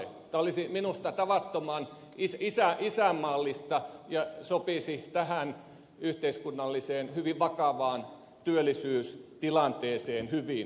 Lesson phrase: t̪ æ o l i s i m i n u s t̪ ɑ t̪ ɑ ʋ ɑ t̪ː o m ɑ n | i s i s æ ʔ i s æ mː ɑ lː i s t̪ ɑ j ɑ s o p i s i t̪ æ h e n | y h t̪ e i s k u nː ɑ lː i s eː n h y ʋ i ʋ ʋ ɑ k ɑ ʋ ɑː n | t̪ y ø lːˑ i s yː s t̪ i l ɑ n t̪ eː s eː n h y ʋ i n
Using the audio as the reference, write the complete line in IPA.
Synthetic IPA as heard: t̪ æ o l i s i m i n u s t̪ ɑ t̪ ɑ ʋ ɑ t̪ː o m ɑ n | i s i s æ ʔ i s æ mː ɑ lː i s t̪ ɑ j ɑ s o p i s i t̪ æ h æ n | y h t̪ e i s k u nː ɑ lː i s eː n h y ʋ i ʋ ʋ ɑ k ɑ ʋ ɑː n | t̪ y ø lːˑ i s yː s t̪ i l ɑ n t̪ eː s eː n h y ʋ i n